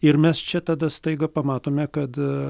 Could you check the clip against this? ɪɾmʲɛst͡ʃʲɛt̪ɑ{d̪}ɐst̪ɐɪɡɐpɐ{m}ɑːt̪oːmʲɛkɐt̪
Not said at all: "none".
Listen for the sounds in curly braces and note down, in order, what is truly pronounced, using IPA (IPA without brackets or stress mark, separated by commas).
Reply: d̪, m